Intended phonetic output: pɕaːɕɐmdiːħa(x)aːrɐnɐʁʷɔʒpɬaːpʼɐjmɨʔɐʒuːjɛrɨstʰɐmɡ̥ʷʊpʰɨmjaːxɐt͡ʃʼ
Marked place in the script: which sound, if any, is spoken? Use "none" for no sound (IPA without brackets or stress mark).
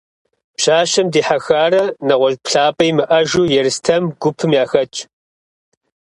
x